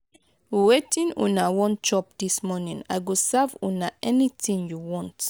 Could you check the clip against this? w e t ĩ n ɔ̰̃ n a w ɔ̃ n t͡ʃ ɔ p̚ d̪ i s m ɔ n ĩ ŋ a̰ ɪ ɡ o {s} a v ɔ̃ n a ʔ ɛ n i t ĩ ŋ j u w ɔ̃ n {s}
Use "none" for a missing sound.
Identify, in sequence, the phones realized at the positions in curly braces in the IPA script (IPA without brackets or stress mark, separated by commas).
s, t